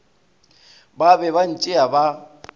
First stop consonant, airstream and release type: plain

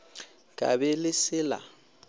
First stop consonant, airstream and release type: ejective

